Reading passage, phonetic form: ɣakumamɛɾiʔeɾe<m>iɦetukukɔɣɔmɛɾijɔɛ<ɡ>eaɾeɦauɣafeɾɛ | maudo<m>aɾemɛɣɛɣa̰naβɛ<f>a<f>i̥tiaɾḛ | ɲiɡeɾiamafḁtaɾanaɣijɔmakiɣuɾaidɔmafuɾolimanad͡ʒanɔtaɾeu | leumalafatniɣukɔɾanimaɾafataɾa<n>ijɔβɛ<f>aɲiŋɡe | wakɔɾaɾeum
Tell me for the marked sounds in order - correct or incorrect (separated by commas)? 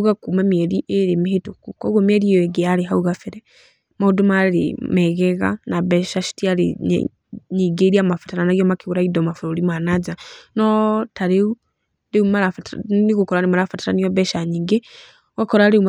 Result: correct, correct, correct, incorrect, incorrect, correct, incorrect